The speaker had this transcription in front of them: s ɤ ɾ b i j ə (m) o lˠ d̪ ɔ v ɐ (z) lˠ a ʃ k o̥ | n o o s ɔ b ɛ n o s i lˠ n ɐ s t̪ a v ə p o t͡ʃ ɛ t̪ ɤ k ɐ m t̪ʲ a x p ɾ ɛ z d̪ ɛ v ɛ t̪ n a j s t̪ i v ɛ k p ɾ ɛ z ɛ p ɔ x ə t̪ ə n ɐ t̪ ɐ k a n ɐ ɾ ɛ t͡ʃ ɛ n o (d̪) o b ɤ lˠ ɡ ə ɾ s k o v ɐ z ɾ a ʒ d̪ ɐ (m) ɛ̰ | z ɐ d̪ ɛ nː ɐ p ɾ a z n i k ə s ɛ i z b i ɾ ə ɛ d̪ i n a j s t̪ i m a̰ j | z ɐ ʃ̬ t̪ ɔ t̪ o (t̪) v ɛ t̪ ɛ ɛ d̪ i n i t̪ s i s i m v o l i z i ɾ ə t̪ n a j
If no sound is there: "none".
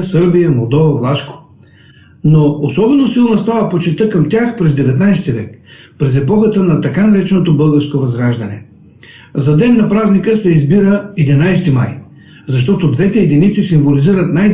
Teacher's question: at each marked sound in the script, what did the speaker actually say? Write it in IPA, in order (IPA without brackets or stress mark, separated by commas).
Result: m, v, t̪, n, d̪